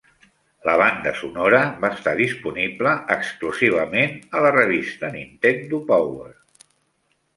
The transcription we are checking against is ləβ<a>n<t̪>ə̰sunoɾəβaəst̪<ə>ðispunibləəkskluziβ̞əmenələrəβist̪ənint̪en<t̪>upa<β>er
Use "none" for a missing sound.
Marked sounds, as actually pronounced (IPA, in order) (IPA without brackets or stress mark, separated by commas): a, d̪, a, d̪, w